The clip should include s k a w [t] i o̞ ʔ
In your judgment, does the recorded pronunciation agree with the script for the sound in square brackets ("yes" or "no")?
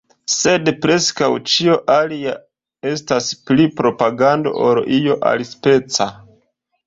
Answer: no